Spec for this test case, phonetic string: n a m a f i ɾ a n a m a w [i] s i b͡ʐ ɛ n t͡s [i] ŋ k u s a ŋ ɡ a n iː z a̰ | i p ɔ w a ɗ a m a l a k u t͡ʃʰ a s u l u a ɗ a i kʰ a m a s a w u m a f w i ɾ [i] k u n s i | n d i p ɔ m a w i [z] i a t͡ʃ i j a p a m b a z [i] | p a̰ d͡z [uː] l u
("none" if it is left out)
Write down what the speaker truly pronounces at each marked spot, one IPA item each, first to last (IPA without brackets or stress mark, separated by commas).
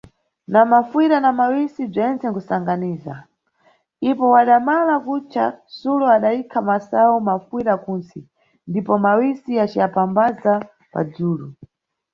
i, ɛ, a, s, a, uː